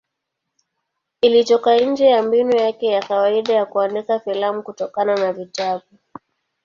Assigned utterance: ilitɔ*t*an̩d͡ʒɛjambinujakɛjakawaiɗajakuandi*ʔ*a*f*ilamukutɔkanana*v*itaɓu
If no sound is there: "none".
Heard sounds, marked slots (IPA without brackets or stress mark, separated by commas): k, k, f, v